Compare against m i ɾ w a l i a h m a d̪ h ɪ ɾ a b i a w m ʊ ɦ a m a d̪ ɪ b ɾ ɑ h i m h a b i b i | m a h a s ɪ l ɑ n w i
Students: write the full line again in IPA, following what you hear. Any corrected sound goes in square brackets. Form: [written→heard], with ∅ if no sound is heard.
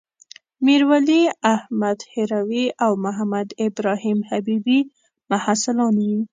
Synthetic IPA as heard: m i ɾ w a l i a h m a d̪ h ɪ ɾ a [b→w] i a w m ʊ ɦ a m a d̪ ɪ b ɾ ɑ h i m h a b i b i | m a h a s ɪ l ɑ n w i

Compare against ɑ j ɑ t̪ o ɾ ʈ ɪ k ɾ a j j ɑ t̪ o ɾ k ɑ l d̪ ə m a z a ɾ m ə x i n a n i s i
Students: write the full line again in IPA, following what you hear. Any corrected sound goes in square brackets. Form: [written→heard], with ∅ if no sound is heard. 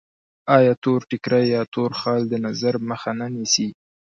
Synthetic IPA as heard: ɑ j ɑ t̪ o ɾ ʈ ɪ k ɾ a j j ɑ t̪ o ɾ [k→x] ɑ l d̪ ə [m→n] a z a ɾ m ə x [i→a] n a n i s i

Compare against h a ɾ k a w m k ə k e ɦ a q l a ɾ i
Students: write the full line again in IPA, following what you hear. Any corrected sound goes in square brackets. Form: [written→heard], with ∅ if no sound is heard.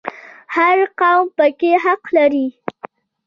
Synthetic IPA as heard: h a ɾ [k→q] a w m [k→p] ə k e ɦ a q l a ɾ i

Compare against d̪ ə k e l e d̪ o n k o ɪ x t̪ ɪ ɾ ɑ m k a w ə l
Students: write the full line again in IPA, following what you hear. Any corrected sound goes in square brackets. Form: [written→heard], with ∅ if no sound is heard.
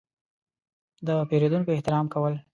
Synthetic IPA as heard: d̪ ə [k→p] e [l→ɾ] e d̪ [o→u] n k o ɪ [x→h] t̪ ɪ ɾ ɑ m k a w ə l

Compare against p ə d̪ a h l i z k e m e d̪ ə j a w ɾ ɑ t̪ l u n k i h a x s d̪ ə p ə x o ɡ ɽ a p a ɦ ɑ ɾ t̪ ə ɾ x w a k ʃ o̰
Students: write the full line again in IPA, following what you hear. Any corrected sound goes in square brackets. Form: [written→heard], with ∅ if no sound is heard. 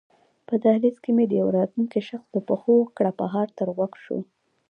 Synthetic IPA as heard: p ə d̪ a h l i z k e m e d̪ ə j a w ɾ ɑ t̪ l u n k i [h→ʃ] a x s d̪ ə p ə x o [ɡ→k] ɽ a p a ɦ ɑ ɾ t̪ ə ɾ [x→ɣ] w a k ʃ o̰

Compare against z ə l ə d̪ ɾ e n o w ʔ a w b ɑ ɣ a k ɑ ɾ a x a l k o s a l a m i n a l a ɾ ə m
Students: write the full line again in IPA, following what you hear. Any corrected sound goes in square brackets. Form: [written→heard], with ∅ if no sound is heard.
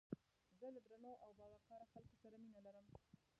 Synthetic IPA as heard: z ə l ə d̪ ɾ [e→a] n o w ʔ a w b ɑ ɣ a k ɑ ɾ a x a l k o s a [l→ɾ] a m i n a l a ɾ ə m

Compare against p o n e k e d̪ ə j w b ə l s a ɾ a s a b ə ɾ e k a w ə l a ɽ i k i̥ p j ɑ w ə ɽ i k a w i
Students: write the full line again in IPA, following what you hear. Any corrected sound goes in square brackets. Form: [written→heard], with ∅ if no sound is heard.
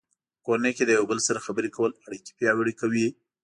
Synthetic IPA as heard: [p→k] o n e k e d̪ ə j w b ə l s a ɾ a [s→x] a b ə ɾ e k a w ə l a ɽ i k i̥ p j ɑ w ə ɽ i k a w i

